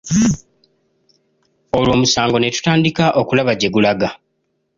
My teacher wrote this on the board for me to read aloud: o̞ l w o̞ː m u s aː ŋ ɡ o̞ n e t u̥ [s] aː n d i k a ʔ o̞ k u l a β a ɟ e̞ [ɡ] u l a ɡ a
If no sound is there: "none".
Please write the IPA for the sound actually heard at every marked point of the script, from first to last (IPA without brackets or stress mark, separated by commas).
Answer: t, ɡ